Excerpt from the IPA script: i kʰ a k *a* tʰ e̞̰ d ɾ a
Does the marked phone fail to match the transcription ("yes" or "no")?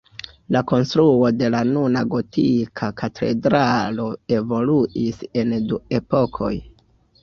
no